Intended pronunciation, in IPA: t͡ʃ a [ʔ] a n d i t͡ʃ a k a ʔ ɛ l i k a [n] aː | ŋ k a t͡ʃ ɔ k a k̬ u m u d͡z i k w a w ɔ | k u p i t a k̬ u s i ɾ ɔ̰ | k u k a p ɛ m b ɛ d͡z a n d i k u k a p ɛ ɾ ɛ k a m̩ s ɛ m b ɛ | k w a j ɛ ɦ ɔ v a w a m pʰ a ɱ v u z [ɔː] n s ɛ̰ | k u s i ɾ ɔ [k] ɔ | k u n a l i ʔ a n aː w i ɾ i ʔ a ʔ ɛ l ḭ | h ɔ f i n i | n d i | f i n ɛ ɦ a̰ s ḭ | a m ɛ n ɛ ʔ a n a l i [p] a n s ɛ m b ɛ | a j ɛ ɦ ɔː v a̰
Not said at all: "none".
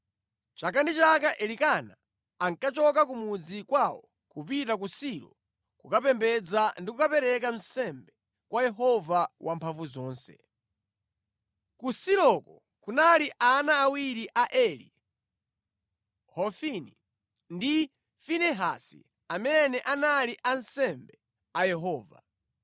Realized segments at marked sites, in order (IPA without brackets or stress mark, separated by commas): k, n, ɔː, k, ʔ